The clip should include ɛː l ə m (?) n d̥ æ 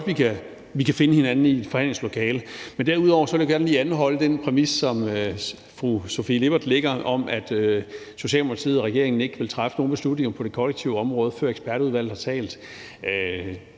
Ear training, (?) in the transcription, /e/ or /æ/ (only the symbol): e